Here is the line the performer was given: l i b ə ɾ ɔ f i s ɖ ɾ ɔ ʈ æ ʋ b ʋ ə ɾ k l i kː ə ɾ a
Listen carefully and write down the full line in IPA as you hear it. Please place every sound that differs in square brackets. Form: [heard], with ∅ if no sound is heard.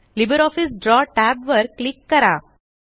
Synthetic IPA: l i b ə ɾ ɔ f i s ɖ ɾ ɔ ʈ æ [∅] b ʋ ə ɾ k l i kː ə ɾ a